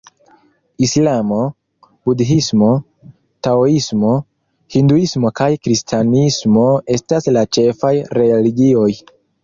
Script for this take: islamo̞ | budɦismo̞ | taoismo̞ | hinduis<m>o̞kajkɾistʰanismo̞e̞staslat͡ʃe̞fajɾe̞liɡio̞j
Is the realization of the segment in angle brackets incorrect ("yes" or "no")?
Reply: no